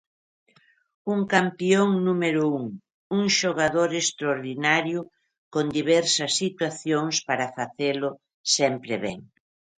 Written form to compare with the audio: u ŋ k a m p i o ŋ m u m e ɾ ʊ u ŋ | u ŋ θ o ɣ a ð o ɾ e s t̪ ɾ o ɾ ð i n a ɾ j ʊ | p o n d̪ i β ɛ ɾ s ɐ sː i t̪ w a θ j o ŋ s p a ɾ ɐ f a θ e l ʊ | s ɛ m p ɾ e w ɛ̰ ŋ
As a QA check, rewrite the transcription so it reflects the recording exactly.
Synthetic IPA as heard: u ŋ k a m p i o ŋ n u m e ɾ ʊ u ŋ | u ŋ ʃ o ɣ a ð o ɾ e s t̪ ɾ o ɾ ð i n a ɾ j ʊ | k o n d̪ i β ɛ ɾ s ɐ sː i t̪ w a θ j o ŋ s p a ɾ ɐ f a θ e l ʊ | s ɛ m p ɾ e β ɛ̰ ŋ